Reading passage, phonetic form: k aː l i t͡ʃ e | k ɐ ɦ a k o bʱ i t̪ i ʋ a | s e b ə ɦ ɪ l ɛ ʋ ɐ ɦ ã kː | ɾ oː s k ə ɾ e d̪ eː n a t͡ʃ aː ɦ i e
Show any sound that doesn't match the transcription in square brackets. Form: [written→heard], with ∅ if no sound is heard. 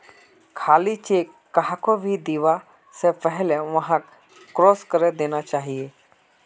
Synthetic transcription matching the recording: [k→kʰ] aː l i t͡ʃ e | k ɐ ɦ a k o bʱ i [t̪→d̪] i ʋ a | s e [b→p] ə ɦ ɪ l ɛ ʋ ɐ ɦ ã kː | ɾ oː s k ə ɾ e d̪ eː n a t͡ʃ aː ɦ i e

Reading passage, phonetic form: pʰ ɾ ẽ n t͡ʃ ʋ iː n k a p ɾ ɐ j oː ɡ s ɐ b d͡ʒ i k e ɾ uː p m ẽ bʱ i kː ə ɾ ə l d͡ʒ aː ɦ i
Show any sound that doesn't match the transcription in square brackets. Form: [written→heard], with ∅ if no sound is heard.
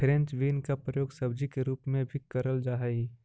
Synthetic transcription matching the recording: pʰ ɾ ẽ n t͡ʃ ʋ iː n k a p ɾ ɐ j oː ɡ s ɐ b d͡ʒ i k e ɾ uː p m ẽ bʱ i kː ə ɾ ə l d͡ʒ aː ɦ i

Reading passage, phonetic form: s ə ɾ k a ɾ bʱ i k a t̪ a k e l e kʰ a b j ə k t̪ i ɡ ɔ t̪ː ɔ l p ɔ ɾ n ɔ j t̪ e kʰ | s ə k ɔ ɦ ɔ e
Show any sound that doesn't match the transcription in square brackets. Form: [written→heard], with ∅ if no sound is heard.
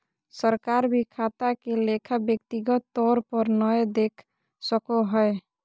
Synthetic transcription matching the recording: s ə ɾ k a ɾ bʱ i [k→kʰ] a t̪ a k e l e kʰ a b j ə k t̪ i ɡ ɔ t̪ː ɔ [l→ɾ] p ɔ ɾ n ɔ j [t̪→d̪] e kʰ | s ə k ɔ ɦ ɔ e

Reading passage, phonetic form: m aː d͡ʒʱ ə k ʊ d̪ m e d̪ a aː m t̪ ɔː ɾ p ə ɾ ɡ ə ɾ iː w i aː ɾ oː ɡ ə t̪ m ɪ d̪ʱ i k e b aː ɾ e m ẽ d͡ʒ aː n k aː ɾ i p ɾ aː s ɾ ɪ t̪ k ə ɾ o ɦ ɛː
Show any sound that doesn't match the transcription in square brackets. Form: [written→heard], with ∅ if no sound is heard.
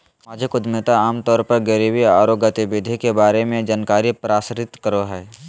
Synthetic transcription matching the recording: m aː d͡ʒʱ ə k ʊ d̪ m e [d̪→t̪] a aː m t̪ ɔː ɾ p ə ɾ ɡ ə ɾ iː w i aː ɾ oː ɡ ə t̪ [m→b] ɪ d̪ʱ i k e b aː ɾ e m ẽ d͡ʒ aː n k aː ɾ i p ɾ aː s ɾ ɪ t̪ k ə ɾ o ɦ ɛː

